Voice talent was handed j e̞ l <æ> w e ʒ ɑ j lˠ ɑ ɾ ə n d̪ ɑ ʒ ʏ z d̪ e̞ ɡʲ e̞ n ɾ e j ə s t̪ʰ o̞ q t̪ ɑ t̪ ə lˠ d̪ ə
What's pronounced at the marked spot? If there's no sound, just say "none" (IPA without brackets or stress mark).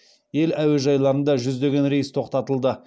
æ